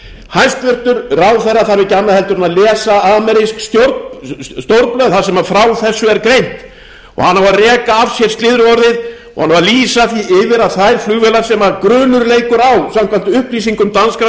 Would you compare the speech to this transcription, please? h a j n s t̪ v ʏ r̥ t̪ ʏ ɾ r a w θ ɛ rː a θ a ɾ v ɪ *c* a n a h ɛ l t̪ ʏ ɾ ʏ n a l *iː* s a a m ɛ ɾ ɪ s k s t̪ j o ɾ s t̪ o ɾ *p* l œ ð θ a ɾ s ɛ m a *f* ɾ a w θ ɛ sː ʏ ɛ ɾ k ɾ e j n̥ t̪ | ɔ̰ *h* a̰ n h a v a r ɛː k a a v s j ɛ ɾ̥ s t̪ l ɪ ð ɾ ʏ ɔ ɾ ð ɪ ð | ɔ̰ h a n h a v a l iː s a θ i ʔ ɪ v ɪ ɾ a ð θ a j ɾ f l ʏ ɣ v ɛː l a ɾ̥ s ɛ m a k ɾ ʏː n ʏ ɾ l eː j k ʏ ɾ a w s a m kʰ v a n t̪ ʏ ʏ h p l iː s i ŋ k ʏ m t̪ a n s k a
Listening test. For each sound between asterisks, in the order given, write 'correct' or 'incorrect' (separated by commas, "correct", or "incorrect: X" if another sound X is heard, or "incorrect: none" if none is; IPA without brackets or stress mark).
correct, incorrect: ɛː, correct, correct, correct